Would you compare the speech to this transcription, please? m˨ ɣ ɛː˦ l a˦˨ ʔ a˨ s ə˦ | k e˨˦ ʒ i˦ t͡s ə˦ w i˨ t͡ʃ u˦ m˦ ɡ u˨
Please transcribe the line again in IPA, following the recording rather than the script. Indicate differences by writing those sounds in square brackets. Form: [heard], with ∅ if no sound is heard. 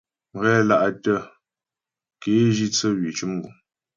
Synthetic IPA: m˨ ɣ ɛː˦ l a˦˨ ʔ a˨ [t] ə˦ | k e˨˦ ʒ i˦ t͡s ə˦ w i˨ t͡ʃ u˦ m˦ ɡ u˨